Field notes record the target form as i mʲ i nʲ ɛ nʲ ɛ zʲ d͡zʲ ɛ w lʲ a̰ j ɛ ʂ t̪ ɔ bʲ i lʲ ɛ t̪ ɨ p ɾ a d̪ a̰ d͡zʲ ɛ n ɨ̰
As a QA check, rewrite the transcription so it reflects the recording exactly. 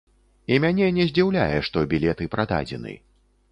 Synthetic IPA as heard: i mʲ a nʲ ɛ nʲ ɛ zʲ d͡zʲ i w lʲ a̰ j ɛ ʂ t̪ ɔ bʲ i lʲ ɛ t̪ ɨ p ɾ a d̪ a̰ d͡zʲ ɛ n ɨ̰